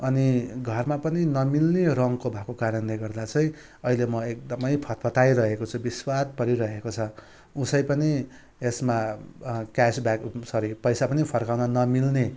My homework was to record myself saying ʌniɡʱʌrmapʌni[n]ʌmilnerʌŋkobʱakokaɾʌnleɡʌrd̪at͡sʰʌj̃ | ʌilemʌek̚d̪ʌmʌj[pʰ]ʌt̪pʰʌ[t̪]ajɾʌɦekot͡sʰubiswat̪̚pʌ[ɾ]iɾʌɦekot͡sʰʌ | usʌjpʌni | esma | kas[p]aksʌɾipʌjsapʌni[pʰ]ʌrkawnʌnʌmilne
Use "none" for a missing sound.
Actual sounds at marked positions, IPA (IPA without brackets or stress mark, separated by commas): n, pʰ, t̪, ɾ, b, pʰ